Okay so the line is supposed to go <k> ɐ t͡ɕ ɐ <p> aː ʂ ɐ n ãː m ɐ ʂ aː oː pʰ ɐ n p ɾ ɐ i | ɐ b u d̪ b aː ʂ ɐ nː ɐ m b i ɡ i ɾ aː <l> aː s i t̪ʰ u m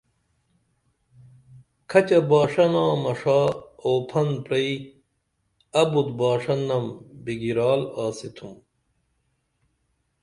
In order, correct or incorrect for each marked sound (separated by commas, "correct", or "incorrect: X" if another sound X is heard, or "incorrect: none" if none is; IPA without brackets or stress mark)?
incorrect: kʰ, incorrect: b, correct